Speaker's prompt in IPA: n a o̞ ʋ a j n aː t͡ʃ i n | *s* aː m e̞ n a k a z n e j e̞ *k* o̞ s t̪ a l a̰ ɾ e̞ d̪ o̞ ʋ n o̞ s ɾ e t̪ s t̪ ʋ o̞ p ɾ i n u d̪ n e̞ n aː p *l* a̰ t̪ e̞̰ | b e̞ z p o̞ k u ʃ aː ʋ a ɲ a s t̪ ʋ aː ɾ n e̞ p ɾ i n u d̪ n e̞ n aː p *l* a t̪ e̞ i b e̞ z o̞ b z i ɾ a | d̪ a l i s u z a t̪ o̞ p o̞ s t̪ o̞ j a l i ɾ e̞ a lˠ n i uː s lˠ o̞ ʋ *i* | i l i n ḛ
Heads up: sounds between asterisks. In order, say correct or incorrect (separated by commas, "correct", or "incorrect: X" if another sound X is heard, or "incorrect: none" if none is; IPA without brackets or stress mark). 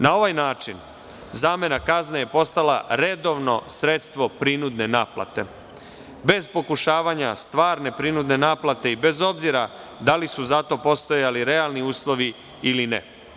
incorrect: z, incorrect: p, correct, correct, correct